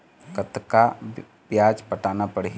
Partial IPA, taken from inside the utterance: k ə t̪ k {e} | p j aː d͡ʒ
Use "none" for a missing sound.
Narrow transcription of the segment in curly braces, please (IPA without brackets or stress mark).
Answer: a